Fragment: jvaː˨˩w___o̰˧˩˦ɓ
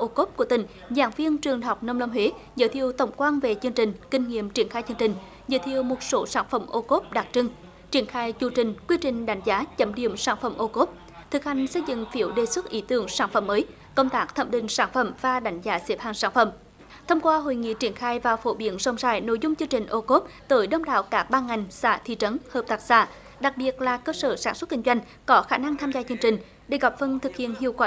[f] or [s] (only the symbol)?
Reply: f